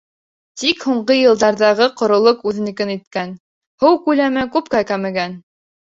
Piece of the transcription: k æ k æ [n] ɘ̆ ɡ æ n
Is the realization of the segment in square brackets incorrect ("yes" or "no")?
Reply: yes